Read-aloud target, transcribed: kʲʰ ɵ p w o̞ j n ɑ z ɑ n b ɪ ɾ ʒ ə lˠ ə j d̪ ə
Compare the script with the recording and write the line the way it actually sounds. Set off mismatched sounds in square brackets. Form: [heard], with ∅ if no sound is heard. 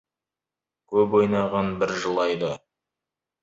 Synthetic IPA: kʲʰ ɵ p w o̞ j n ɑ [ʁ] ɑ n b ɪ ɾ ʒ ə lˠ [ɑ] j d̪ ə